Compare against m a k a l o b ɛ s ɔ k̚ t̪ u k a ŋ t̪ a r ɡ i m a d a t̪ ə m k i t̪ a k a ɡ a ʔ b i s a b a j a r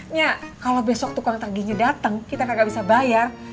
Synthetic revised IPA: ɲ a k a l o b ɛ s ɔ k̚ t̪ u k a ŋ t̪ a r ɡ i ɲ a d a t̪ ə ŋ k i t̪ a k a ɡ a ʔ b i s a b a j a r